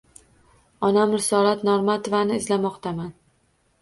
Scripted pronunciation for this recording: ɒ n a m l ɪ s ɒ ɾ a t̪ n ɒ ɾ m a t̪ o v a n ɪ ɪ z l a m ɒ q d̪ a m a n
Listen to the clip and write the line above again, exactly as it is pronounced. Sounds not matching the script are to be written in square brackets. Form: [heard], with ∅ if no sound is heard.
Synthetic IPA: ɒ n a m [ɾ] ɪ s ɒ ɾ a t̪ n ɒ ɾ m a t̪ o v a n ɪ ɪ z l a m ɒ q [t̪] a m a n